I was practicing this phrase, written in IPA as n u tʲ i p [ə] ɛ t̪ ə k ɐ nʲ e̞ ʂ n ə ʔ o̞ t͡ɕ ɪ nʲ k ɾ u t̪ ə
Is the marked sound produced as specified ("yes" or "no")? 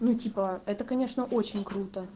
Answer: yes